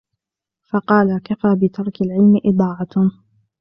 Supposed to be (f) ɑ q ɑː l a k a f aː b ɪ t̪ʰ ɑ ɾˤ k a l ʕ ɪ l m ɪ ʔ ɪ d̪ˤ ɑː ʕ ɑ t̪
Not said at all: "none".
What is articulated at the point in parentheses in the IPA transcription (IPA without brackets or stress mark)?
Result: f